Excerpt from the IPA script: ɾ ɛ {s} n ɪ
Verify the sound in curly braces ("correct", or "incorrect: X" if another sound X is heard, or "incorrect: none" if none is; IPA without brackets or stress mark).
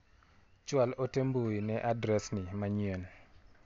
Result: correct